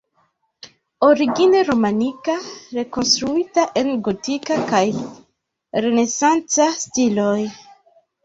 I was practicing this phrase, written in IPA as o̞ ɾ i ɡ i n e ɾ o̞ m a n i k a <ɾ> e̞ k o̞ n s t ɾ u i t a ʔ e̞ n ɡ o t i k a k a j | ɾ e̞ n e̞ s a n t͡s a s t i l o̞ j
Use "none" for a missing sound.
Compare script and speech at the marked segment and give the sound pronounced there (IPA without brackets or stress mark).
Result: ɾ